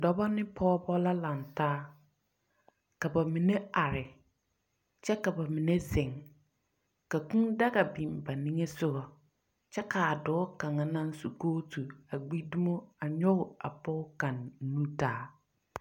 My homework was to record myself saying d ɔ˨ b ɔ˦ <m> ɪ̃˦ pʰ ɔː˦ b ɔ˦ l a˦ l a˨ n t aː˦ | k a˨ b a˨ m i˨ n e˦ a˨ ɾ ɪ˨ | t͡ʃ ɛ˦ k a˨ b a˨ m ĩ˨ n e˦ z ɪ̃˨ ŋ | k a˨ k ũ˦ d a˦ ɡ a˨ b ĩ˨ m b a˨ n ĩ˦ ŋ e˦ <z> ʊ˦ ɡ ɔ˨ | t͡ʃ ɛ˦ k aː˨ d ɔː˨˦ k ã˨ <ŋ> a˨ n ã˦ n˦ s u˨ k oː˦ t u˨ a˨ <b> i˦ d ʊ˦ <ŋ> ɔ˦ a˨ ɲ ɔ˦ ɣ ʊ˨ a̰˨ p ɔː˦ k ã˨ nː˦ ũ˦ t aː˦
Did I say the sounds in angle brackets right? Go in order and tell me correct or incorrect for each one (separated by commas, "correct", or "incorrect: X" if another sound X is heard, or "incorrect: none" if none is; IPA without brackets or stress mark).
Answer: incorrect: n, incorrect: s, correct, incorrect: ɡ͡b, incorrect: m